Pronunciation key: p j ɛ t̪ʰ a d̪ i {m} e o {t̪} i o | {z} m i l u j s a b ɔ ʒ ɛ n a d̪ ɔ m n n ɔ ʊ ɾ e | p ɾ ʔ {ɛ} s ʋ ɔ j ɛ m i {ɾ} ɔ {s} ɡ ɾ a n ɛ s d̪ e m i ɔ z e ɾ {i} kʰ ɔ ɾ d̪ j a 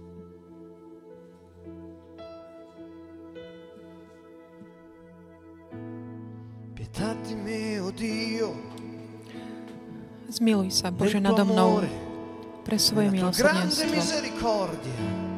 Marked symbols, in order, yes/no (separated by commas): yes, no, yes, yes, no, yes, yes